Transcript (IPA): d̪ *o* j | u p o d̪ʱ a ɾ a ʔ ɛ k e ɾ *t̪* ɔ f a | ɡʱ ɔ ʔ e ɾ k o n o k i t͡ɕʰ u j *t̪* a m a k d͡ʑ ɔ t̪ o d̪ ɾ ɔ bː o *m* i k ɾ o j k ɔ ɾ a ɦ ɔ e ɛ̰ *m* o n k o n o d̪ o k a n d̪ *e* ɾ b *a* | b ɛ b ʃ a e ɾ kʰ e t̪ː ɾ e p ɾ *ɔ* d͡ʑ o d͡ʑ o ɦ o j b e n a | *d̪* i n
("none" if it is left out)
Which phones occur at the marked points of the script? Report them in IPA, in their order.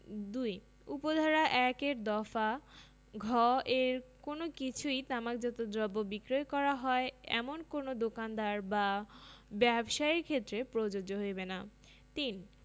u, d̪, t̪, b, m, a, a, o, t̪

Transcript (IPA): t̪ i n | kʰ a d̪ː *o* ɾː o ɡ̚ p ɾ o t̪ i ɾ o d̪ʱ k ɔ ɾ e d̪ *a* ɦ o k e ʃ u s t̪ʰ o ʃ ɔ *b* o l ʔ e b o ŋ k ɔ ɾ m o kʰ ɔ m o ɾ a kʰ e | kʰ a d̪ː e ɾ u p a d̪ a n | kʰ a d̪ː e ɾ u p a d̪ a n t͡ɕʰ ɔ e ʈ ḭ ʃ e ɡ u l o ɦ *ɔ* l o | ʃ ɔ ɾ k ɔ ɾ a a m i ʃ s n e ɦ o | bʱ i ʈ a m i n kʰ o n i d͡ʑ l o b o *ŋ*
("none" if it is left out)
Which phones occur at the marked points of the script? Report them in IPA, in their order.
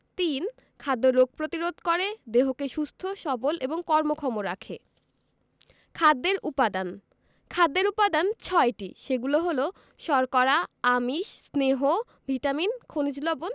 o, e, b, o, n

